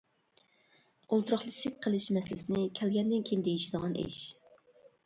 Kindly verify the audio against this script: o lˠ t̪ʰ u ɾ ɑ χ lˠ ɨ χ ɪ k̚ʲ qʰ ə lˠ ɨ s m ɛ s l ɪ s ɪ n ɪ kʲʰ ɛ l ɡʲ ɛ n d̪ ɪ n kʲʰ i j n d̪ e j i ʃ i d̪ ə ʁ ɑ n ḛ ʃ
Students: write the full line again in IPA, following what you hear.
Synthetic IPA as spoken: o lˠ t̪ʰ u ɾ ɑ χ lˠ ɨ ʃ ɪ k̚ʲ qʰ ə lˠ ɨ ʃ m ɛ s l ɪ s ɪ n ɪ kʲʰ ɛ l ɡʲ ɛ n d̪ ɪ n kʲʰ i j n d̪ e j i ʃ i d̪ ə ʁ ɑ n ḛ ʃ